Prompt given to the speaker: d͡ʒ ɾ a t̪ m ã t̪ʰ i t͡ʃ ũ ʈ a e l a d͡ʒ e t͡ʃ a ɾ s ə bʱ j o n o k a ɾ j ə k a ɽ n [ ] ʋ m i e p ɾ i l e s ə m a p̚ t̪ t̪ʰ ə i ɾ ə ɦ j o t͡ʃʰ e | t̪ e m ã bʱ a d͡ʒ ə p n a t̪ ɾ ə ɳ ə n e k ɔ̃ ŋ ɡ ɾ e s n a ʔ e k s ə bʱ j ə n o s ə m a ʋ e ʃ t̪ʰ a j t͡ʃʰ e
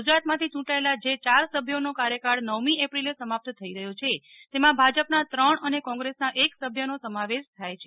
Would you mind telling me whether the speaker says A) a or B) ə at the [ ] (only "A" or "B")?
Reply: B